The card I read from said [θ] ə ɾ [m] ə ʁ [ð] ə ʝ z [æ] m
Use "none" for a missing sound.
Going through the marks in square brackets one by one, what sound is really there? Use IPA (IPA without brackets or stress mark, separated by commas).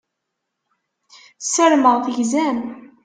s, m, θ, æ